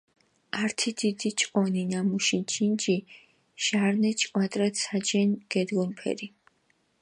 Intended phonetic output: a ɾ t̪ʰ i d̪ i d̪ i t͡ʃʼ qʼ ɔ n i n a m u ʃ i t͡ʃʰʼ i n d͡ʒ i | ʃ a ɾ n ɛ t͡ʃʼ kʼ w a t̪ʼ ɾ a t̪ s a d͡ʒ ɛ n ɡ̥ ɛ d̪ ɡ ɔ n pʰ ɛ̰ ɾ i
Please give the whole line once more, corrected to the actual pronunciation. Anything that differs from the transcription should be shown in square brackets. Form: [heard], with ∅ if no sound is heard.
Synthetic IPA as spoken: a ɾ t̪ʰ i d̪ i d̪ i t͡ʃʼ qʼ ɔ n i n a m u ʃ i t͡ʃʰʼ i n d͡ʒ i | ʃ a ɾ n ɛ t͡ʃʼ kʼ w a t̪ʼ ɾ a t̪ s a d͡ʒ ɛ n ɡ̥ ɛ d̪ ɡ ɔ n pʰ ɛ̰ ɾ i